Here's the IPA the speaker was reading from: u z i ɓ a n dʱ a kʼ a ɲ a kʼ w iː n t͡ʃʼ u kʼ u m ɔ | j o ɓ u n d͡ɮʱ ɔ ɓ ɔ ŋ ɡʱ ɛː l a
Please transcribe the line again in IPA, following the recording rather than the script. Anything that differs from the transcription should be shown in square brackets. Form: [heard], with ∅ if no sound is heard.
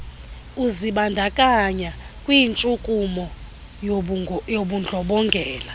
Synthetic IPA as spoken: u z i ɓ a n dʱ a kʼ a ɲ a kʼ w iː n t͡ʃʼ u kʼ u m ɔ | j o ɓ u n d͡ɮʱ ɔ ɓ ɔ ŋ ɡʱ ɛː l a